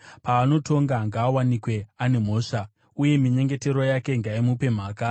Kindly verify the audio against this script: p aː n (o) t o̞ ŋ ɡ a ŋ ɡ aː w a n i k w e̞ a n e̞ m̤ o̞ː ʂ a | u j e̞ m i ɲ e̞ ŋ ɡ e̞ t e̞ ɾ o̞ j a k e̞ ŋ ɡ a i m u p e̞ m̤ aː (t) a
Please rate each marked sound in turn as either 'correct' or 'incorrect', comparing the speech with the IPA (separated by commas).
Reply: correct, incorrect